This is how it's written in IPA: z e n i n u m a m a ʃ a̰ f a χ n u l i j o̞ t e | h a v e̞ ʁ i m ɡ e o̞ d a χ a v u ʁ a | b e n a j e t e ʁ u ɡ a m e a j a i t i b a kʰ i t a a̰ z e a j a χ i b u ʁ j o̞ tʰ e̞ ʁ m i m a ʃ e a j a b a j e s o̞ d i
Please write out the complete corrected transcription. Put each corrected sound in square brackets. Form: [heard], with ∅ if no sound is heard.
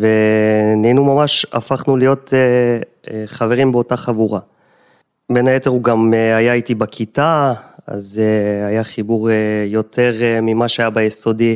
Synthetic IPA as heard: [v] e n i n u m a m a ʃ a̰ f a χ n u l i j o̞ t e | [χ] a v e̞ ʁ i m [b] e o̞ [t] a χ a v u ʁ a | b e n a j e t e ʁ u ɡ a m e a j a i t i b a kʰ i t a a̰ z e a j a χ i b u ʁ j o̞ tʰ e̞ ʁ m i m a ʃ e a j a b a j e s o̞ d i